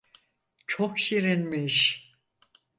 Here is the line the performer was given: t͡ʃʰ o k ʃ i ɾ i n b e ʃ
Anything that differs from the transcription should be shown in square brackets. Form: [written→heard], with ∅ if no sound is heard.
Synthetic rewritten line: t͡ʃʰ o k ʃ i ɾ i n [b→m] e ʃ

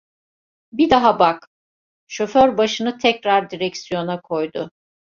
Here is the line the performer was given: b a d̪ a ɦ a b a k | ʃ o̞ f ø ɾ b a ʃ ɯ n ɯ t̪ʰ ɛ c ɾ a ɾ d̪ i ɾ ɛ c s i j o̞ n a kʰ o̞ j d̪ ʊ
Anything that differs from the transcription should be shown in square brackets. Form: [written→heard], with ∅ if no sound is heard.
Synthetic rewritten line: b [a→i] d̪ a ɦ a b a k | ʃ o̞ f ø ɾ b a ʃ ɯ n ɯ t̪ʰ ɛ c ɾ a ɾ d̪ i ɾ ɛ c s i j o̞ n a kʰ o̞ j d̪ ʊ

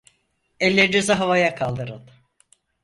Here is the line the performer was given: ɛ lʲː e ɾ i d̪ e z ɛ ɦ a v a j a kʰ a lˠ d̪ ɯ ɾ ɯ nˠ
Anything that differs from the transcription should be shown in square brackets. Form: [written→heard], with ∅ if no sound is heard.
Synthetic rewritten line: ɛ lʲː e ɾ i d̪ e z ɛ ɦ a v a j a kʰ a lˠ d̪ ɯ ɾ ɯ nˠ

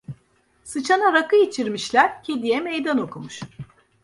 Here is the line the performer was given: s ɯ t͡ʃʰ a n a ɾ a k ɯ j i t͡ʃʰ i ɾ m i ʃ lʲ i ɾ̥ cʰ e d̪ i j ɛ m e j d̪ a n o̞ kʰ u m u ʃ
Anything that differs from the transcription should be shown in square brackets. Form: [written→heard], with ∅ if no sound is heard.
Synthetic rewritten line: s ɯ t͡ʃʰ a n a ɾ a k ɯ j i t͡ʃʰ i ɾ m i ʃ lʲ [i→æ] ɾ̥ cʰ e d̪ i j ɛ m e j d̪ a n o̞ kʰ u m u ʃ

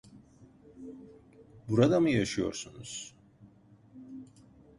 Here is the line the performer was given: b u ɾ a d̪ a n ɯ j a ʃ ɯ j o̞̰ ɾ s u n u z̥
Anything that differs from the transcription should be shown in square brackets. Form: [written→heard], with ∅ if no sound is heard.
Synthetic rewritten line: b u ɾ a d̪ a [n→m] ɯ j a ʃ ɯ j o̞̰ ɾ s u n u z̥

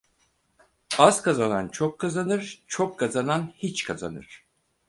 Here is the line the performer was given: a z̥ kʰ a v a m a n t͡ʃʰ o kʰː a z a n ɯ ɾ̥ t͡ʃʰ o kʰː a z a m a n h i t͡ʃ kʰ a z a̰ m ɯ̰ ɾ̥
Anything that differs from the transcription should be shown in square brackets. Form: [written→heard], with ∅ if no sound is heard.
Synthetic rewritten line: a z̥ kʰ a [v→z] a [m→n] a n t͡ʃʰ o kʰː a z a n ɯ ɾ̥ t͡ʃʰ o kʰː a z a [m→n] a n h i t͡ʃ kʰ a z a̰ [m→n] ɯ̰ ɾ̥

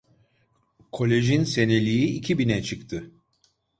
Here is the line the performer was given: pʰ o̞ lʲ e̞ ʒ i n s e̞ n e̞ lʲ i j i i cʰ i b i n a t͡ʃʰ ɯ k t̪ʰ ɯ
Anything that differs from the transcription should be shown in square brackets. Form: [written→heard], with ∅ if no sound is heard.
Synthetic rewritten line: [pʰ→kʰ] o̞ lʲ e̞ ʒ i n s e̞ n e̞ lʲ i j i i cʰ i b i n [a→ɛ] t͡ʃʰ ɯ k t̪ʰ ɯ

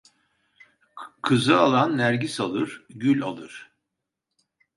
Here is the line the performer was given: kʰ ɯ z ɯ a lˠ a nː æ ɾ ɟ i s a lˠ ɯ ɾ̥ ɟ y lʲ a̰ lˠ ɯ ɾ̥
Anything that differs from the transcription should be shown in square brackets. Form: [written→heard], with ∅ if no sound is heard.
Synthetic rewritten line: kʰ ɯ z ɯ a lˠ a nː æ ɾ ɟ i s a lˠ ɯ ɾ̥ ɟ y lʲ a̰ lˠ ɯ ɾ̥

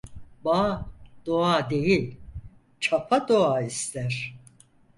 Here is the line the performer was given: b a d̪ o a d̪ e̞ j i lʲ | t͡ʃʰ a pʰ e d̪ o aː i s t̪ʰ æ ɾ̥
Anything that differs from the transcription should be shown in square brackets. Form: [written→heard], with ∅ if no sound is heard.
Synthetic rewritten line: b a d̪ o a d̪ e̞ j i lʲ | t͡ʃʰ a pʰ [e→a] d̪ o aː i s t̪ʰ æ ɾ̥

